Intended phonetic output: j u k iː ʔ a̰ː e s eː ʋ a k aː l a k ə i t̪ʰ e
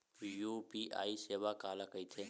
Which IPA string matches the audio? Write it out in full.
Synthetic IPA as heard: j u p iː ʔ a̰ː i s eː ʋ a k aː l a k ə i t̪ʰ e